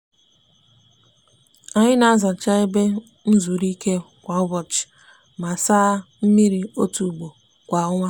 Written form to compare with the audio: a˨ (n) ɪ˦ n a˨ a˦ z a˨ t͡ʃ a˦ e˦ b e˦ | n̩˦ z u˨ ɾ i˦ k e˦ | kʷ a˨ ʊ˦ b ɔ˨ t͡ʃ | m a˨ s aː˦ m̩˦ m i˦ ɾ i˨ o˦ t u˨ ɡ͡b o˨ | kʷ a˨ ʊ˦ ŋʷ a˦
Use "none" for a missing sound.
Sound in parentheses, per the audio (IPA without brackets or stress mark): ɲ